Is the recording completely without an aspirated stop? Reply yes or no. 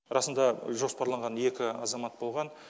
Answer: yes